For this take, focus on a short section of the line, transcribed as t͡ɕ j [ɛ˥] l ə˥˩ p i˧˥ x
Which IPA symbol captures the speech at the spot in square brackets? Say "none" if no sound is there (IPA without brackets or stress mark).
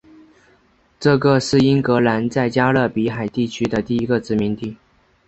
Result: a˥